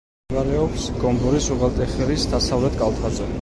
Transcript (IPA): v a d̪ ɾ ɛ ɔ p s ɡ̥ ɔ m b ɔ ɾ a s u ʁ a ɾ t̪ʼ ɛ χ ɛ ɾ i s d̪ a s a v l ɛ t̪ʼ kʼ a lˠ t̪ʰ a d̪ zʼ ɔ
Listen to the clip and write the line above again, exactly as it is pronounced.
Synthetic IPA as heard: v a ɾ ɛ ɔ p s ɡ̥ ɔ m b ɔ ɾ i s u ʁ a l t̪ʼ ɛ χ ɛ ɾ i s d̪ a s a v l ɛ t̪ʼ kʼ a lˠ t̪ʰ a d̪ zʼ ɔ